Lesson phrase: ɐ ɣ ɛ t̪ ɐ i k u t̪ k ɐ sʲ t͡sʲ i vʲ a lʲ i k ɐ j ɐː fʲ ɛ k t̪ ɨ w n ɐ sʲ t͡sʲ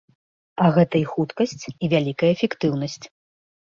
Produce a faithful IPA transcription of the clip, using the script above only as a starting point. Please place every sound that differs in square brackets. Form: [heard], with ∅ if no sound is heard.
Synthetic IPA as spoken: ɐ ɣ ɛ t̪ ɐ i [x] u t̪ k ɐ sʲ t͡sʲ i vʲ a lʲ i k ɐ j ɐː fʲ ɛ k t̪ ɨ w n ɐ sʲ t͡sʲ